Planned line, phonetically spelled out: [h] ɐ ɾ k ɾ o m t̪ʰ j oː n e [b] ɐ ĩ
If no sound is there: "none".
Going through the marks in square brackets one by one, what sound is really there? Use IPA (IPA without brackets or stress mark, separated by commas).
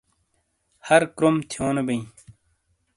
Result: h, b